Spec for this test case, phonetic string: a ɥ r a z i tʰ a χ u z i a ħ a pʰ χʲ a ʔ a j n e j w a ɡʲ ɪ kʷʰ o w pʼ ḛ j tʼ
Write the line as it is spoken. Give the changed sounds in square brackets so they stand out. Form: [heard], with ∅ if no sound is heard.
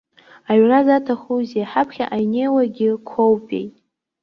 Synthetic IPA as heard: a ɥ r a z [a] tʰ a χ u z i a ħ a pʰ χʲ a ʔ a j n e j w a ɡʲ ɪ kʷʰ o w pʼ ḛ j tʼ